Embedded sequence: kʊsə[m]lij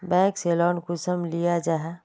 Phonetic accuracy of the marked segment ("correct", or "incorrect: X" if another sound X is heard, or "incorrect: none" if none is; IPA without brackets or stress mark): correct